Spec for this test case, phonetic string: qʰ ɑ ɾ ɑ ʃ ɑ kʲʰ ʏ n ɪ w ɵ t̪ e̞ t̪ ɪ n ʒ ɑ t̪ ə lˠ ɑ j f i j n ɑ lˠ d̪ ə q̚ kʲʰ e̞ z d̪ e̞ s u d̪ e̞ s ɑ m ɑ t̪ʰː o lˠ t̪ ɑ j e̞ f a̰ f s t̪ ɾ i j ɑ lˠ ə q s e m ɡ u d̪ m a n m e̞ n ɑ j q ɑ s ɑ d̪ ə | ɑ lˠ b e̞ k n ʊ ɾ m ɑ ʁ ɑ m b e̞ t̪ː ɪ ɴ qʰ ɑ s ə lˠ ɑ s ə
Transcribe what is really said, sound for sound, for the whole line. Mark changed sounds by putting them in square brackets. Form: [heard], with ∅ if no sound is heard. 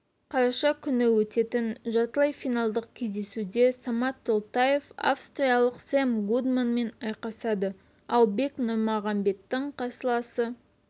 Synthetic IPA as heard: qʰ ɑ ɾ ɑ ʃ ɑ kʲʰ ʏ n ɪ w ɵ t̪ e̞ t̪ ɪ n ʒ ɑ t̪ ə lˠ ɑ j f i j n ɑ lˠ d̪ ə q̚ kʲʰ e̞ z d̪ e̞ s u d̪ e̞ s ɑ m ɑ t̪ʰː o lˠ t̪ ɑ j e̞ f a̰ f s t̪ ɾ i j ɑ lˠ ə q s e m ɡ u d̪ m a n m e̞ n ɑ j q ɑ s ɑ d̪ ə | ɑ lˠ b e̞ k n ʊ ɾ m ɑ ʁ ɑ m b e̞ t̪ː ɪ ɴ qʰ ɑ s ə lˠ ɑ s ə